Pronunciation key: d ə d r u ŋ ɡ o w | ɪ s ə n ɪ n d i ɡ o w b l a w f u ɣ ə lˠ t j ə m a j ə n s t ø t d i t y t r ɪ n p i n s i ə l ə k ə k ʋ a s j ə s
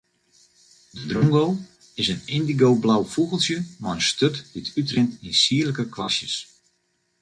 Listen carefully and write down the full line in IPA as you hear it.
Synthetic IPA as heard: d ə d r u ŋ ɡ o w | ɪ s ə n ɪ n d i ɡ o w b l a w f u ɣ ə lˠ s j ə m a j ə n s t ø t d i t y t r ɪ n t i n s i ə l ə k ə k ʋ a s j ə s